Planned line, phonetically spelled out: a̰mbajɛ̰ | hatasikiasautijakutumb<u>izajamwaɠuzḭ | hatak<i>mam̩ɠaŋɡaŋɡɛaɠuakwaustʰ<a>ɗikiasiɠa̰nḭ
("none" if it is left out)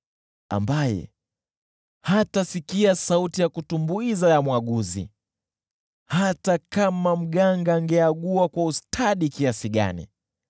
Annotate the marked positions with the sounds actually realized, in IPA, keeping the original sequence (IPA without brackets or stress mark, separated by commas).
u, a, a